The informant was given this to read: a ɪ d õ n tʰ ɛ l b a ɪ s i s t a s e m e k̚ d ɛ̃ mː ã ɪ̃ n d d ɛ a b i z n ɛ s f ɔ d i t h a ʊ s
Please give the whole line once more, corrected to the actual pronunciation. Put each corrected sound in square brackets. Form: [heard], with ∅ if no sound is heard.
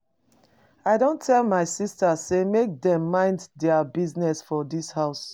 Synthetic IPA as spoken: a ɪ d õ n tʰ ɛ l [m] a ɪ s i s t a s e m e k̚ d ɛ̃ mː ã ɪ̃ n d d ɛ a b i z n ɛ s f ɔ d i [s] h a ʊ s